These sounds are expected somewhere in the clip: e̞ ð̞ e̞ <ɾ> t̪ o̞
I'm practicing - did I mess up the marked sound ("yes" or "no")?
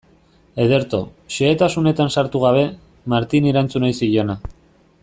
no